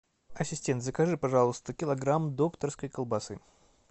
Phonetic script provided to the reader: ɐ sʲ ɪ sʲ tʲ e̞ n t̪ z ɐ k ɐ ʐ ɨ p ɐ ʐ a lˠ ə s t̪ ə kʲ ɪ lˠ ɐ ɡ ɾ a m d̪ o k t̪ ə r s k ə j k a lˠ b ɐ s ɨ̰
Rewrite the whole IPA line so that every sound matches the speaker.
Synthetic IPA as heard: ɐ sʲ ɪ sʲ tʲ e̞ n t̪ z ə k ɐ ʐ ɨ p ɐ ʐ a lˠ ə s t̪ ə kʲ ɪ lˠ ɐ ɡ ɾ a m d̪ o k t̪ ə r s k ə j k ə lˠ b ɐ s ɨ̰